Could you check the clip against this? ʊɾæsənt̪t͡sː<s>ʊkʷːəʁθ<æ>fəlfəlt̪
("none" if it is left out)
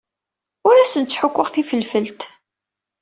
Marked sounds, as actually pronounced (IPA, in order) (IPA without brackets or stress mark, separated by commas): ħ, i